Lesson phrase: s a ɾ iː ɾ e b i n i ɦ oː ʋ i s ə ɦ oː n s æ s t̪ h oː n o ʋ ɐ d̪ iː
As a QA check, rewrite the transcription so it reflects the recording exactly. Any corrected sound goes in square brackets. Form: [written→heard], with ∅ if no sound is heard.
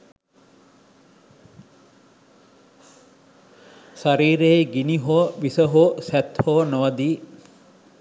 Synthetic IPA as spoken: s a ɾ iː ɾ e [b→ɡ] i n i ɦ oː ʋ i s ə ɦ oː [n→∅] s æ [s→∅] t̪ h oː n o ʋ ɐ d̪ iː